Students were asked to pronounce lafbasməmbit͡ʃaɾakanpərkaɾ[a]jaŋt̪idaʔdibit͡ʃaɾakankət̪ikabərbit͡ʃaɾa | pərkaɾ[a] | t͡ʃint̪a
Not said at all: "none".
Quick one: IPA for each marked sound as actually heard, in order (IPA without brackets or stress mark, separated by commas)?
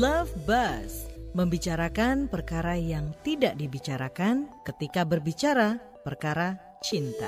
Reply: a, a